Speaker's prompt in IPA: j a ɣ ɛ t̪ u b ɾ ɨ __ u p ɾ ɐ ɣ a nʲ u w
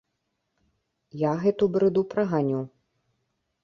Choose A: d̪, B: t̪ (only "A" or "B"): A